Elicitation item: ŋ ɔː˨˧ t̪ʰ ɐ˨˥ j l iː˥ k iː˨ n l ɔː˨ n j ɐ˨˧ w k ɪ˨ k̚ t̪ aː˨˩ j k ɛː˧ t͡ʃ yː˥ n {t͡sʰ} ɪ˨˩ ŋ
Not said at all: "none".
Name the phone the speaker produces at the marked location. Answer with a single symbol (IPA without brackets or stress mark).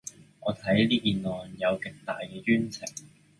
t͡sʰ